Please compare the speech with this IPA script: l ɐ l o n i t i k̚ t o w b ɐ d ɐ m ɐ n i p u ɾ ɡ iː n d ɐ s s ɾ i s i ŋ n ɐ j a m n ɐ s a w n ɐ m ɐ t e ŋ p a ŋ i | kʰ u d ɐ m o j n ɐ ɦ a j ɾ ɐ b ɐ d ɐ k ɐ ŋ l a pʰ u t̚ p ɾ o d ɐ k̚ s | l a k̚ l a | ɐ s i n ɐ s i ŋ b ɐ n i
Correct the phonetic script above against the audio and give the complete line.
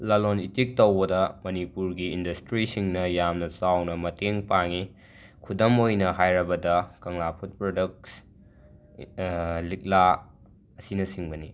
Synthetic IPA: l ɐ l o n i t i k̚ t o w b ɐ d ɐ m ɐ n i p u ɾ ɡ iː n d ɐ s t ɾ i s i ŋ n ɐ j a m n ɐ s a w n ɐ m ɐ t e ŋ p a ŋ i | kʰ u d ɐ m o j n ɐ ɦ a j ɾ ɐ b ɐ d ɐ k ɐ ŋ l a pʰ u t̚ p ɾ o d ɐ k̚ s | l i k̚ l a | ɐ s i n ɐ s i ŋ b ɐ n i